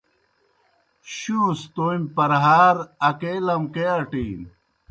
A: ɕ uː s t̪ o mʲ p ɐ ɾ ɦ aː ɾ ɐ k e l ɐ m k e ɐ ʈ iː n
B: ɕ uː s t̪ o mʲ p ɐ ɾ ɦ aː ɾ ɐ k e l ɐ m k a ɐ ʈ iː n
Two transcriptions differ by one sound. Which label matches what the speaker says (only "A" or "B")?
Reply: A